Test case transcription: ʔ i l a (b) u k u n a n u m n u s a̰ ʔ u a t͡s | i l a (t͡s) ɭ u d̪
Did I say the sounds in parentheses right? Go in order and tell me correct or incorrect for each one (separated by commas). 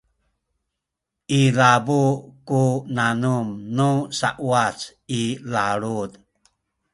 correct, incorrect